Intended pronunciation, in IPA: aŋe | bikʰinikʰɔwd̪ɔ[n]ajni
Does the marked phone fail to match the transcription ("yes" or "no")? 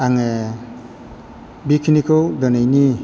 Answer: no